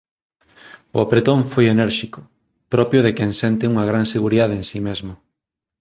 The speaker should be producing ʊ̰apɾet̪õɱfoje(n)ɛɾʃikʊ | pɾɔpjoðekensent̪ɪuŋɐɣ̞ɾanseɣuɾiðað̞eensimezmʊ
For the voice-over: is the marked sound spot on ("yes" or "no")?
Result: yes